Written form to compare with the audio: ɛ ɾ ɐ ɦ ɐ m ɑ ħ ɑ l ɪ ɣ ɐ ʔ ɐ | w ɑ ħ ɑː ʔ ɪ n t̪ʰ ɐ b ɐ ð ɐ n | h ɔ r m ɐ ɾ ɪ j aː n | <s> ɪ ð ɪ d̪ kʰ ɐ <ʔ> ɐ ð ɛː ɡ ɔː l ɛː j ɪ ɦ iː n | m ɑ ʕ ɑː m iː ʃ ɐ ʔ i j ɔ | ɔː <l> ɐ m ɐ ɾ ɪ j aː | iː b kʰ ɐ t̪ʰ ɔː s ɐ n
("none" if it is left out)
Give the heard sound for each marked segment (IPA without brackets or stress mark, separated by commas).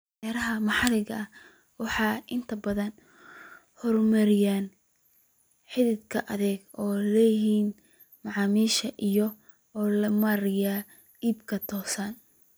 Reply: ħ, ʔ, l